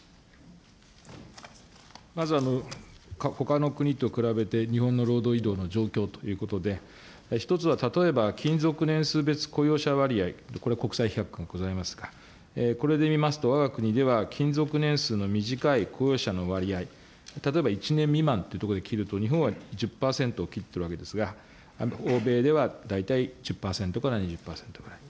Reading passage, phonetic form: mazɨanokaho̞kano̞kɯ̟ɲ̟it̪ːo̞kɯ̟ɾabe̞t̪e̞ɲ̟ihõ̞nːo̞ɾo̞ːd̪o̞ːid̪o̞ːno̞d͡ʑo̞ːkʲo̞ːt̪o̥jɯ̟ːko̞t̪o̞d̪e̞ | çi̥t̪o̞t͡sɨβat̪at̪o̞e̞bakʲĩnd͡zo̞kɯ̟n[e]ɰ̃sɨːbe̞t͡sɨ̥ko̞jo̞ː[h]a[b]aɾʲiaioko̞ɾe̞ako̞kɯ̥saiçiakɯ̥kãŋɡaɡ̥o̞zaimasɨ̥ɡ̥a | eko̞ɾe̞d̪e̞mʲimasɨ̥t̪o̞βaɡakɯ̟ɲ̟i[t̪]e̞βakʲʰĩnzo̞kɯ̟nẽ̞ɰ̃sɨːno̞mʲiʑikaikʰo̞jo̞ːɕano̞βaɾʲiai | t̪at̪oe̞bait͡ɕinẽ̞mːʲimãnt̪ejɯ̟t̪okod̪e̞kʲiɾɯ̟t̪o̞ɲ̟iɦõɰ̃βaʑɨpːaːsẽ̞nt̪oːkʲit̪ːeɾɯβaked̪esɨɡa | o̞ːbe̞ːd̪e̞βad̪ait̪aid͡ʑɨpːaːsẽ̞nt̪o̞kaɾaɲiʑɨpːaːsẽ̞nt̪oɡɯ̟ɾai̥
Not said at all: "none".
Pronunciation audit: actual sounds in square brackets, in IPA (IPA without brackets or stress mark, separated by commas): ẽ, ɕ, β, d̪